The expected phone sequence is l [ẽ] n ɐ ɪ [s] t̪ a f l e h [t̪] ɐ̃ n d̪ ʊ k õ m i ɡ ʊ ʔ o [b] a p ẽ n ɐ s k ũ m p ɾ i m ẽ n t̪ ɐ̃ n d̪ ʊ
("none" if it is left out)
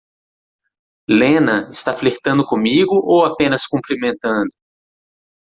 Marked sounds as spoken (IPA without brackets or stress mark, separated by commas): ẽ, s, t̪, w